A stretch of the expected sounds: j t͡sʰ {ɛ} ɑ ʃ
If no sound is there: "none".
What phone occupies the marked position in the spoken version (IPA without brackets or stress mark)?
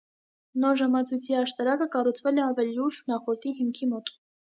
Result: i